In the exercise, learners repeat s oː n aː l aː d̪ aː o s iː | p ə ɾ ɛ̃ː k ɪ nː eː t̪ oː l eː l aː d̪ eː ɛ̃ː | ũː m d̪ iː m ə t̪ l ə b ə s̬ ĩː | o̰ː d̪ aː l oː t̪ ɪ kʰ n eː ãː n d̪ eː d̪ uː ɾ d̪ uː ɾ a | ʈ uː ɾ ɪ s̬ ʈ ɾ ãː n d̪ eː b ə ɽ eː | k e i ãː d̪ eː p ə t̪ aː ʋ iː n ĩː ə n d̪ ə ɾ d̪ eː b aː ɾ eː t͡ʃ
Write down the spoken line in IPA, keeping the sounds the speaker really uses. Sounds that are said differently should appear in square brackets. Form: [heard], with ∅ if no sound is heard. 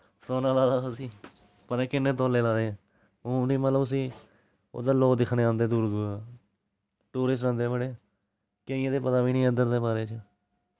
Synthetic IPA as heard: s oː n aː l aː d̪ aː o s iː | p ə ɾ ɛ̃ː k ɪ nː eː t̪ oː l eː l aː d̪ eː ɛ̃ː | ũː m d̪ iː m ə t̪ l ə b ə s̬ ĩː | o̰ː d̪ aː l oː [d̪] ɪ kʰ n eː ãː n d̪ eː d̪ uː ɾ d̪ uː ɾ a | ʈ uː ɾ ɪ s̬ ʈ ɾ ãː n d̪ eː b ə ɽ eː | k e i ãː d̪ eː p ə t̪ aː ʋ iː n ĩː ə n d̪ ə ɾ d̪ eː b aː ɾ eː t͡ʃ